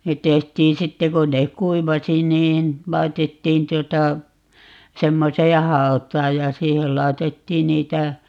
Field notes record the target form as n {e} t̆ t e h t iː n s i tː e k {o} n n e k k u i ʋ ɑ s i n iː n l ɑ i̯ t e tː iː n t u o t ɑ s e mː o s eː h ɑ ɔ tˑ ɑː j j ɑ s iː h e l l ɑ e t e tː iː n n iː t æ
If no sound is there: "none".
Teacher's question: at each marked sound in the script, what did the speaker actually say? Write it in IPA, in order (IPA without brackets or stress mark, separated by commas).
e, o